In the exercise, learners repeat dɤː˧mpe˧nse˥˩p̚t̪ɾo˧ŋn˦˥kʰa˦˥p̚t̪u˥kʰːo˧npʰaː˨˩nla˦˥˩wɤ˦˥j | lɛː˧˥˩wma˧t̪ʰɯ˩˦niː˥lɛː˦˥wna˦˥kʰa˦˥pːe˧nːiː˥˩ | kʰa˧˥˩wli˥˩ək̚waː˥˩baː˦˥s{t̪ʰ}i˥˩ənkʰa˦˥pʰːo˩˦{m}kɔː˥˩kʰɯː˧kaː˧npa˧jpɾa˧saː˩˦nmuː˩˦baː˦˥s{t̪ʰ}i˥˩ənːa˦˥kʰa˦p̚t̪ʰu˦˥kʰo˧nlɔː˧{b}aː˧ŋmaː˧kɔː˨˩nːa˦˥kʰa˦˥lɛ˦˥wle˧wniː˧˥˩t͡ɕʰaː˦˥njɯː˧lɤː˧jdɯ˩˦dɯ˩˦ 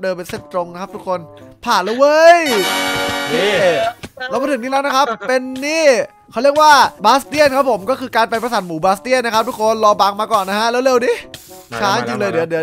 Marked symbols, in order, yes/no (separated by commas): no, yes, no, yes